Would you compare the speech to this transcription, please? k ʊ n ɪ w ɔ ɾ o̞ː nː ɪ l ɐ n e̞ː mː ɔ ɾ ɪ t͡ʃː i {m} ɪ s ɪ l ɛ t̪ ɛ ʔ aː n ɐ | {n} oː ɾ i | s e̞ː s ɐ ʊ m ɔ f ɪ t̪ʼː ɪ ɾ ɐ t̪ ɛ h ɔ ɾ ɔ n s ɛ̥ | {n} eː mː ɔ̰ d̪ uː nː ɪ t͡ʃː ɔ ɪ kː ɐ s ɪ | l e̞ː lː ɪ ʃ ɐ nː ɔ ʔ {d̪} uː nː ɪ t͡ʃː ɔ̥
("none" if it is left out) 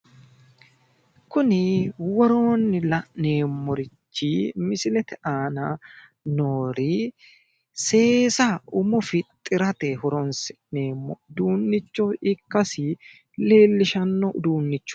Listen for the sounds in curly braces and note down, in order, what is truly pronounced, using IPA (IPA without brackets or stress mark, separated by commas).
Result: m, n, n, d̪